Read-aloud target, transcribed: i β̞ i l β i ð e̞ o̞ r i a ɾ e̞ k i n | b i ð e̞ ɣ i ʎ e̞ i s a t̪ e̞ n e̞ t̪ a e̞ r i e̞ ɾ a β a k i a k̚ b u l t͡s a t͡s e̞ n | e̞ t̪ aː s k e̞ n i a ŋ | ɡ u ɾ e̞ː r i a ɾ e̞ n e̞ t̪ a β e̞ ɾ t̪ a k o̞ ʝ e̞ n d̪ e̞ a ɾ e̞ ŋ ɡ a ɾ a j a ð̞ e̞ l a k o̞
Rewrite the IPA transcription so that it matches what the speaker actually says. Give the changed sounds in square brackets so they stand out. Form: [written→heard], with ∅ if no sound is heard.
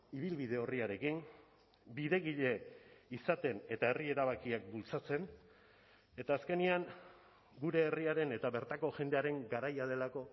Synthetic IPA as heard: i β̞ i l β i ð e̞ o̞ r i a ɾ e̞ k i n | b i ð e̞ ɣ i ʎ e̞ i s a t̪ e̞ n e̞ t̪ a e̞ r i e̞ ɾ a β a k i a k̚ b u l t͡s a t͡s e̞ n | e̞ t̪ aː s k e̞ n i a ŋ | ɡ u ɾ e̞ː r i a ɾ e̞ n e̞ t̪ a β e̞ ɾ t̪ a k o̞ ʝ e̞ n d̪ e̞ a ɾ e̞ ŋ ɡ a ɾ a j a ð̞ e̞ l a k o̞